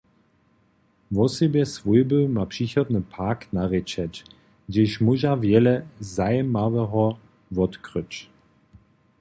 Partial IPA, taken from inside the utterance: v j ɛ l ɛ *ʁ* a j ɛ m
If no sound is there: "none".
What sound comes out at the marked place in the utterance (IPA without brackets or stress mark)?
z